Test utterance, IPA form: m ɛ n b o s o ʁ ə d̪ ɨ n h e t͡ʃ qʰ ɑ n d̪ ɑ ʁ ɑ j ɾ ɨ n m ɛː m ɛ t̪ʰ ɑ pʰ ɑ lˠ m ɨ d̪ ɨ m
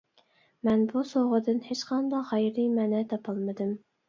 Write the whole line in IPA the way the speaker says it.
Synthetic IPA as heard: m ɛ n b u s o ʁ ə d̪ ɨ n h e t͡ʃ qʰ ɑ n d̪ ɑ ʁ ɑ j ɾ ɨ m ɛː n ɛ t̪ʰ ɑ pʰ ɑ lˠ m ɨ d̪ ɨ m